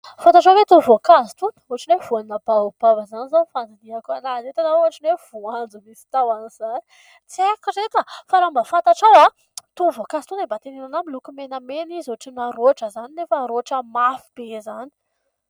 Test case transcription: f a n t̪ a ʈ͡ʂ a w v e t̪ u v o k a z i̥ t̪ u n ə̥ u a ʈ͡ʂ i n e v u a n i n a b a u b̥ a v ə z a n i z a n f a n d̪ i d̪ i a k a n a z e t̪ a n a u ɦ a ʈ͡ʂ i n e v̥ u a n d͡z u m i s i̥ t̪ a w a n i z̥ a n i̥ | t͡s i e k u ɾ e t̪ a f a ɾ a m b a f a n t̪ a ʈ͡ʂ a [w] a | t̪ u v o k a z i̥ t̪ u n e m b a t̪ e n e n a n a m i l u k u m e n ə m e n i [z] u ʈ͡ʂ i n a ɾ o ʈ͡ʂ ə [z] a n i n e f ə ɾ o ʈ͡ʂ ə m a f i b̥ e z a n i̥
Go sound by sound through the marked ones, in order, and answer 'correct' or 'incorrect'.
correct, correct, correct

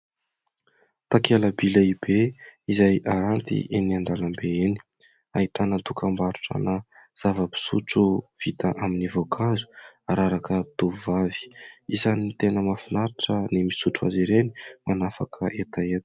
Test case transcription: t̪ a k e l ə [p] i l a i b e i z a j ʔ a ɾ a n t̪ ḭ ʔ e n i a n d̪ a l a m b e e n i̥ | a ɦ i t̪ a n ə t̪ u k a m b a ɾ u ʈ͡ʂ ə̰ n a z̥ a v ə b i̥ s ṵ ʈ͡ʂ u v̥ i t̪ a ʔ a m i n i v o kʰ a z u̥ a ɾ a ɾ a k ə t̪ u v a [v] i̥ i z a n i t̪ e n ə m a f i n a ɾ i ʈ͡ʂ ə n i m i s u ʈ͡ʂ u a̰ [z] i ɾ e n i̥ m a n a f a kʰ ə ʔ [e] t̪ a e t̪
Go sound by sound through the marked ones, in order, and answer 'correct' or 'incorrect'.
incorrect: b, correct, correct, correct

